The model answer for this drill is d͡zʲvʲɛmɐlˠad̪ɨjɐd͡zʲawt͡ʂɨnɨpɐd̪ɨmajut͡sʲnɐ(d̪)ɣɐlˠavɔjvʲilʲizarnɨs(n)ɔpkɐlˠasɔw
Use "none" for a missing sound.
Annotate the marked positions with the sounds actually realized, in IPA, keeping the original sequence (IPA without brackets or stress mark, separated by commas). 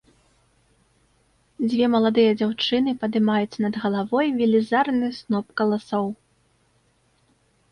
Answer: d̪, n